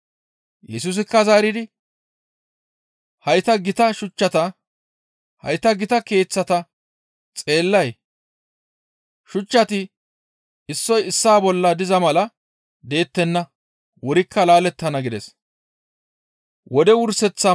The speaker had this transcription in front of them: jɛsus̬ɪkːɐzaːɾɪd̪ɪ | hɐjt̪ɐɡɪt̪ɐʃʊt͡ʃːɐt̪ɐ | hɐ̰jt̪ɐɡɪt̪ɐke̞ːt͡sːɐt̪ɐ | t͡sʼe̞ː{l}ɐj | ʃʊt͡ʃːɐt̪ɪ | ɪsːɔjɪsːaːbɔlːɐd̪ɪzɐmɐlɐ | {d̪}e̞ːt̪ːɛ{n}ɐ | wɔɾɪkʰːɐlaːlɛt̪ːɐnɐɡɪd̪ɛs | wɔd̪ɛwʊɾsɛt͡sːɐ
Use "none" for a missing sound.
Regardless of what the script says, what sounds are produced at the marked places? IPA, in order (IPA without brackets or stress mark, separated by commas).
lː, d̪, nː